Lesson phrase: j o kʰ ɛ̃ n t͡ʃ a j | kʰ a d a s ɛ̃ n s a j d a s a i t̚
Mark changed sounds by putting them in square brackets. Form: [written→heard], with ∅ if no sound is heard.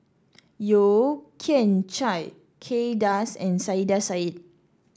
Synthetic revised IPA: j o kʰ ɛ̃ n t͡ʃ a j | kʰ [a→e] d a s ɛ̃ n s a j d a s a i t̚